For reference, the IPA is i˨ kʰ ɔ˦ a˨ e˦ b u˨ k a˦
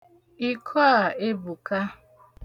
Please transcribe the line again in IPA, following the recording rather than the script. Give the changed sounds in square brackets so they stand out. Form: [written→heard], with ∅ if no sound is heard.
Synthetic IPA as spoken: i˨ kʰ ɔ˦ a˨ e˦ b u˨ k a˦